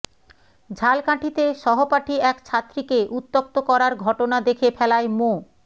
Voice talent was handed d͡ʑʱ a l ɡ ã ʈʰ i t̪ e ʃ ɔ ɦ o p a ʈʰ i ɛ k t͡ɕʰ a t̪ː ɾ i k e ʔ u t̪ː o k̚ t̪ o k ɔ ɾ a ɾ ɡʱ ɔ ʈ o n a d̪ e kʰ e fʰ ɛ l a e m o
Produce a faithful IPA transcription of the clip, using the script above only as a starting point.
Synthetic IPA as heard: d͡ʑʱ a l k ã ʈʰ i t̪ e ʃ ɔ ɦ o p a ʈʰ i ɛ k t͡ɕʰ a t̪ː ɾ i k e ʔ u t̪ː o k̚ t̪ o k ɔ ɾ a ɾ ɡʱ ɔ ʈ o n a d̪ e kʰ e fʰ ɛ l a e m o